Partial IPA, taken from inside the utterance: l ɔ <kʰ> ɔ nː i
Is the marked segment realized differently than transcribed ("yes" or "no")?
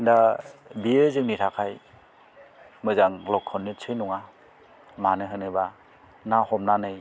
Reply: no